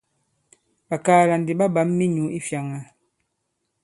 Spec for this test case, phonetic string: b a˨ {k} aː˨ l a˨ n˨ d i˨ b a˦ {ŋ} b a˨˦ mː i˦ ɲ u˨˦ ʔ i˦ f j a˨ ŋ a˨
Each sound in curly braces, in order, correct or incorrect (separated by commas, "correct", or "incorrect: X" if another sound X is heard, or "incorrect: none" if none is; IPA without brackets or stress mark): correct, incorrect: none